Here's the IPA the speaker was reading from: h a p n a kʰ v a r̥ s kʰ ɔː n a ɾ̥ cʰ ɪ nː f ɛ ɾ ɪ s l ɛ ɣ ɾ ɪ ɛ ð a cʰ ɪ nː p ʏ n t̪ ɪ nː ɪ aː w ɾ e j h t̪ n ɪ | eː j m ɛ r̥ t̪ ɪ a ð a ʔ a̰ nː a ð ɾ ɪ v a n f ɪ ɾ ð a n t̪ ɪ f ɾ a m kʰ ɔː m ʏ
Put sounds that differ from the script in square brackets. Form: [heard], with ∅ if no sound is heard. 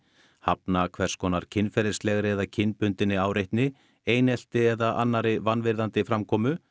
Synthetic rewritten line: h a p n a kʰ v [ɛ] r̥ s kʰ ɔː n a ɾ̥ cʰ ɪ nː f ɛ ɾ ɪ s l ɛ ɣ ɾ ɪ ɛ ð a cʰ ɪ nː p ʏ n t̪ ɪ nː ɪ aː w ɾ e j h t̪ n ɪ | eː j [n] ɛ [l̥] t̪ ɪ [ɛ] ð a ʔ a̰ nː a [∅] ɾ ɪ v a n [v] ɪ ɾ ð a n t̪ ɪ f ɾ a m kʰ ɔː m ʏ